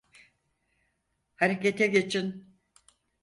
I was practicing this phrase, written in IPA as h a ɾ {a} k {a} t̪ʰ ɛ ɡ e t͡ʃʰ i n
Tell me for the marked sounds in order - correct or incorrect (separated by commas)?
incorrect, incorrect